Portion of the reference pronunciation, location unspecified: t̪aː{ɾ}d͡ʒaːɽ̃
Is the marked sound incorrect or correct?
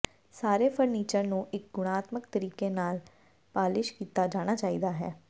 incorrect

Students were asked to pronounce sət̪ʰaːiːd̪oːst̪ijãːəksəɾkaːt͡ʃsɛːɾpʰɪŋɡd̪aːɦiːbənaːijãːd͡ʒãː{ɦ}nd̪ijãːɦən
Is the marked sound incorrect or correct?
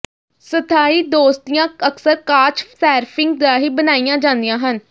incorrect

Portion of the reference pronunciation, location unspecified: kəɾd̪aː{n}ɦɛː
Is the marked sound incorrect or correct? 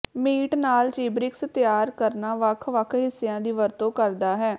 incorrect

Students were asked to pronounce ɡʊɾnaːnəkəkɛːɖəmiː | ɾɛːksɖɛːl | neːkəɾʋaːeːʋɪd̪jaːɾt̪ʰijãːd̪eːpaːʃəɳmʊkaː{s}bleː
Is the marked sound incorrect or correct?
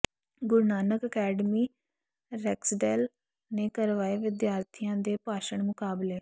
incorrect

